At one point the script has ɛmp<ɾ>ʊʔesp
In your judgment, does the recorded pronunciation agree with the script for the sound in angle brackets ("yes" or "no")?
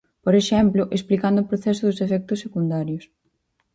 no